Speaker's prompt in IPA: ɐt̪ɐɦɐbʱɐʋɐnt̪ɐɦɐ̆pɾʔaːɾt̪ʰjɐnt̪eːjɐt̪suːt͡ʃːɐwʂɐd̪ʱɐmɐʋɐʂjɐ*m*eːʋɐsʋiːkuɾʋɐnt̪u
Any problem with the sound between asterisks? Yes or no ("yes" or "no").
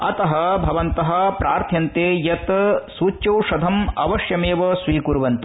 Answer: no